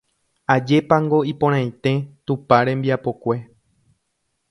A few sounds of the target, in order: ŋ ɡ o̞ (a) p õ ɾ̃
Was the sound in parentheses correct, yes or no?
no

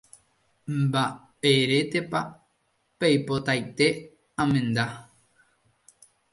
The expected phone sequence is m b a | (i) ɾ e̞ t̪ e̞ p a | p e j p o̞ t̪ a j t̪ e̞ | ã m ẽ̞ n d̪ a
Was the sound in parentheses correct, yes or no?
no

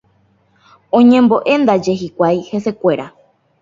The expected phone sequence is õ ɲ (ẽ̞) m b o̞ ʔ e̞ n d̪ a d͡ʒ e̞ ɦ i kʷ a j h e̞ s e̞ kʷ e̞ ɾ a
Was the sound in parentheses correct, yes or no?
yes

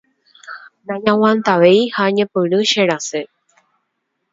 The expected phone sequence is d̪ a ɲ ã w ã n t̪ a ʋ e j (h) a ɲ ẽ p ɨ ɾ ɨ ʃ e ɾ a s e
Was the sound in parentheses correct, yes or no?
yes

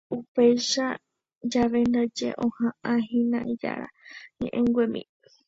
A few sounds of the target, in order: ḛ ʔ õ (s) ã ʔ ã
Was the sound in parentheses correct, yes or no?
no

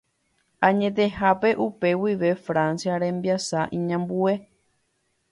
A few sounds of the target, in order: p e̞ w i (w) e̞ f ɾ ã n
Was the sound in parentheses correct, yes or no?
no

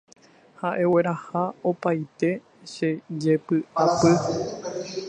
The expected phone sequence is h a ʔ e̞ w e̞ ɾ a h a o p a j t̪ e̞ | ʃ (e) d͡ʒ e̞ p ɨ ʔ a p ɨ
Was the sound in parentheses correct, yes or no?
yes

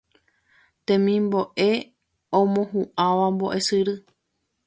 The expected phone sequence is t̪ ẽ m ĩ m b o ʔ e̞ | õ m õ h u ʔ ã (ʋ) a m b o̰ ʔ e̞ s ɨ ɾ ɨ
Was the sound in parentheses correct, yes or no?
yes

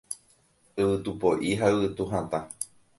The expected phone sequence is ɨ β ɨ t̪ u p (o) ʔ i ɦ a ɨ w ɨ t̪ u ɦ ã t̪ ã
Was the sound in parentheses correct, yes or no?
yes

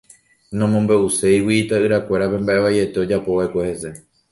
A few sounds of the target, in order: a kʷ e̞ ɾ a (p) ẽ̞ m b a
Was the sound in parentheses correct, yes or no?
yes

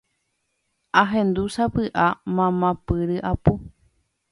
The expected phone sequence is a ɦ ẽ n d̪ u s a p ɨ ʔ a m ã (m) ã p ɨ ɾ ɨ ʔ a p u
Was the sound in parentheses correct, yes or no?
yes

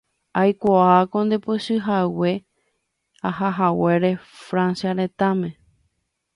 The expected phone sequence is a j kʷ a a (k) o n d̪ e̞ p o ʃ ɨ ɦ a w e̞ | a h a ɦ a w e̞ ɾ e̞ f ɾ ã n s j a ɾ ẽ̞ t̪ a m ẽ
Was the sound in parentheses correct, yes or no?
yes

